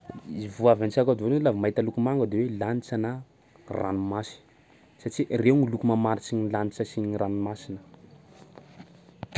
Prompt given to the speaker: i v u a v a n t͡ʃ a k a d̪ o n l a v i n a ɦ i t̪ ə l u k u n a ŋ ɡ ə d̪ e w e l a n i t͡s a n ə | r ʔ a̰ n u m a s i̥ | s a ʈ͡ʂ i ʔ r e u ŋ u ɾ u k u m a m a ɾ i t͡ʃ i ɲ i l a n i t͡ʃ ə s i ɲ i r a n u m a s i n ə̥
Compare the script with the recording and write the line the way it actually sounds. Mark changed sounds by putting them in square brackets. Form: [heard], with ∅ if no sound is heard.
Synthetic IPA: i v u a v a n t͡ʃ a k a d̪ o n l a v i [m] a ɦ i t̪ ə l u k u [m] a ŋ ɡ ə d̪ e w e l a n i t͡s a n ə | r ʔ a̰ n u m a s i̥ | s a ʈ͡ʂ i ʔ r e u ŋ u [l] u k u m a m a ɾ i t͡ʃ i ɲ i l a n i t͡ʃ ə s i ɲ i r a n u m a s i n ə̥